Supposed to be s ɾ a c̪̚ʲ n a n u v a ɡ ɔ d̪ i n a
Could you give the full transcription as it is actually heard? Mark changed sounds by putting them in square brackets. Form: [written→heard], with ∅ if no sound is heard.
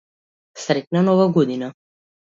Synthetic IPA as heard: s ɾ [a→ɛ] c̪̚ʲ n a n [u→ɔ] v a ɡ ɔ d̪ i n a